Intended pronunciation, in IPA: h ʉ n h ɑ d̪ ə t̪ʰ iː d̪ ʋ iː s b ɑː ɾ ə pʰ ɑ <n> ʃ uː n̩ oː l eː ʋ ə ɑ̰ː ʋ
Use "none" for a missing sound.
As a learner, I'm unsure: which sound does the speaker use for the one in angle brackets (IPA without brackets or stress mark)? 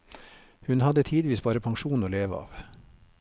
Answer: ŋ